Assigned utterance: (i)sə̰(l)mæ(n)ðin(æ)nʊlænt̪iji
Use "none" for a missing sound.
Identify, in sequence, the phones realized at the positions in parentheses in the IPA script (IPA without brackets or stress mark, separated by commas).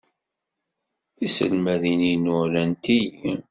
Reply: i, l, none, i